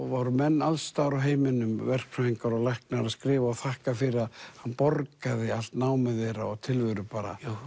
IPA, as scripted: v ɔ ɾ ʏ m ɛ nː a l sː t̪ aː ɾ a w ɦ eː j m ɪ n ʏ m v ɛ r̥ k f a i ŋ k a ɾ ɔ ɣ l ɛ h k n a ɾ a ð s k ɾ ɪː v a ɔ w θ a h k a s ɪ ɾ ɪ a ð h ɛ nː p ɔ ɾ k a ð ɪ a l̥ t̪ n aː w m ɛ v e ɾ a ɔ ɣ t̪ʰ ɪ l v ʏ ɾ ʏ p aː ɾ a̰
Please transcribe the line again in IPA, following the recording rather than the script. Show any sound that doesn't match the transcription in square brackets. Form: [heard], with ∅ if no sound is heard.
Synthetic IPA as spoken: v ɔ ɾ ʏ m ɛ nː a l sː t̪ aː ɾ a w ɦ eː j m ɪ n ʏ m v ɛ r̥ k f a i ŋ k a ɾ ɔ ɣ l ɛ h k n a ɾ a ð s k ɾ ɪː v a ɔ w θ a h k a [f] ɪ ɾ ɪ a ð h [a] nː p ɔ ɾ k a ð ɪ a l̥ t̪ n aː w m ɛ [ð] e ɾ a ɔ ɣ t̪ʰ ɪ l v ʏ ɾ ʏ p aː ɾ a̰